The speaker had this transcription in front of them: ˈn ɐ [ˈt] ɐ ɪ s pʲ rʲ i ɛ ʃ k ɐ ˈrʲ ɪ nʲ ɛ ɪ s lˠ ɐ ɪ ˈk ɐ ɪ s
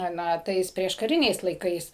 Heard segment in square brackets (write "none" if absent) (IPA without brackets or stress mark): t